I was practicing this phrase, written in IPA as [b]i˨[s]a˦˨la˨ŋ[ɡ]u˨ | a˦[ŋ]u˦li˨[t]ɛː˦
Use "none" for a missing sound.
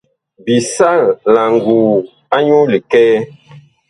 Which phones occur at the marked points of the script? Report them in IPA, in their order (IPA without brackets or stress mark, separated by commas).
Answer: b, s, ɡ, ɲ, k